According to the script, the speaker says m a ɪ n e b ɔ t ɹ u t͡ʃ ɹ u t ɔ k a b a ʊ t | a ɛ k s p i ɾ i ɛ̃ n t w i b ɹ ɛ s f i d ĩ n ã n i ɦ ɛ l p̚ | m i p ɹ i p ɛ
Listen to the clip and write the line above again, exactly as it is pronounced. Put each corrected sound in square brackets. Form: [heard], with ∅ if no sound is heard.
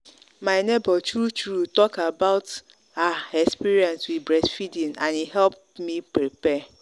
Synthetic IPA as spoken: m a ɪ n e b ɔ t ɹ u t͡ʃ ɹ u t ɔ k a b a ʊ t | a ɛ k s p i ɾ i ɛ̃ n [s] w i b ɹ ɛ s f i d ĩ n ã n i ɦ ɛ l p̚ | m i p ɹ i p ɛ